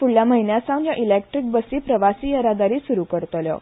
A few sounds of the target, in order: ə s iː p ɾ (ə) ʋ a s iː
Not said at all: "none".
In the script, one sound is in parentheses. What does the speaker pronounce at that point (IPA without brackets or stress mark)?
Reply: ə